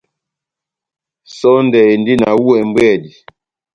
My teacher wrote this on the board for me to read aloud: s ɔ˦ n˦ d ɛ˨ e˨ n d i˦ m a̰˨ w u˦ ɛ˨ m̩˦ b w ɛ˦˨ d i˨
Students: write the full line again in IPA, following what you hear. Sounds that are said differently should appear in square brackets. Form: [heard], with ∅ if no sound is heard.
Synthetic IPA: s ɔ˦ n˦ d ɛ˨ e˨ n d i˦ [n] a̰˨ w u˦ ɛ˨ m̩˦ b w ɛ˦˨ d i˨

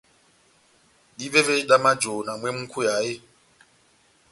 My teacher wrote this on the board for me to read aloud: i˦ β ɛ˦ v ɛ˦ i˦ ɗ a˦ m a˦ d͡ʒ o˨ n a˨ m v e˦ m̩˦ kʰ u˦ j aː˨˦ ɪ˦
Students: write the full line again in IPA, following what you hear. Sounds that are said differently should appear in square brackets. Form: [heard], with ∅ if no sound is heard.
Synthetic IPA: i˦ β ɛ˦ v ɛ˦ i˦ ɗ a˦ m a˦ d͡ʒ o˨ n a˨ m [w] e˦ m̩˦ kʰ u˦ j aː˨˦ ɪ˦

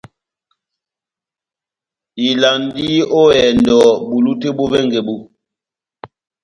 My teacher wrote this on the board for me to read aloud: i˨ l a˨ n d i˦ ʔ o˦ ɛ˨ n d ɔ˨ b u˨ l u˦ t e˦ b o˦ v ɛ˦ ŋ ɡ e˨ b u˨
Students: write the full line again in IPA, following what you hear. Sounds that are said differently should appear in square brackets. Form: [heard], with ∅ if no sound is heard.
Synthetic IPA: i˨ l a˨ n d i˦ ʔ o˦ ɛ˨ n d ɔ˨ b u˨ l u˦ t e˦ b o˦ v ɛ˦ ŋ ɡ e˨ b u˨

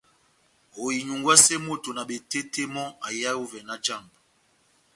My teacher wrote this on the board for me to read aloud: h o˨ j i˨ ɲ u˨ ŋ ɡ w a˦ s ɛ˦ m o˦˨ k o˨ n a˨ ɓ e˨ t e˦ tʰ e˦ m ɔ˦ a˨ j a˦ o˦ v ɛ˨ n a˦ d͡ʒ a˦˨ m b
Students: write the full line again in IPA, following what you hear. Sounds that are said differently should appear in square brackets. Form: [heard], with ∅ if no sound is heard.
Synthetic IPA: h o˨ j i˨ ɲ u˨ ŋ ɡ w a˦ s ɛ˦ m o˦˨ [t] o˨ n a˨ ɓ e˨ t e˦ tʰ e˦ m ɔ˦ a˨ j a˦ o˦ v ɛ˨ n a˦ d͡ʒ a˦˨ m b

